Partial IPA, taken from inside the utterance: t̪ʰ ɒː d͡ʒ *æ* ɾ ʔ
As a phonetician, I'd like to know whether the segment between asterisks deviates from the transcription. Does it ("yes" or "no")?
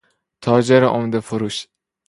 yes